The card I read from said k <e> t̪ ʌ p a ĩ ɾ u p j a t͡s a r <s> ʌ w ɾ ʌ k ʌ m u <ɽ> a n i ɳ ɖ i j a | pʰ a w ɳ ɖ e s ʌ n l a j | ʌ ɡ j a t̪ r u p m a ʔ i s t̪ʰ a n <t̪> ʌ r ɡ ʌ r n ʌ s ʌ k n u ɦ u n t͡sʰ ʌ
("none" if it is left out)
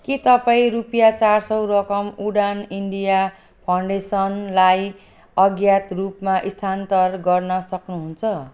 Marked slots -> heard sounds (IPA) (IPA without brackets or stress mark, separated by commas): i, s, ɽ, t̪